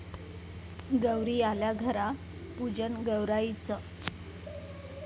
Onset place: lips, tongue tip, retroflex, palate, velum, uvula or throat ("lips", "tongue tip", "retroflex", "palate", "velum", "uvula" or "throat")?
velum